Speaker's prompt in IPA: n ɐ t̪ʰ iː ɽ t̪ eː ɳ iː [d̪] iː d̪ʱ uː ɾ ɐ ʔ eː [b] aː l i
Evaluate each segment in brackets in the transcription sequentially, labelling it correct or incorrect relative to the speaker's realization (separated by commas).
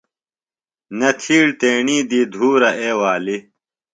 correct, incorrect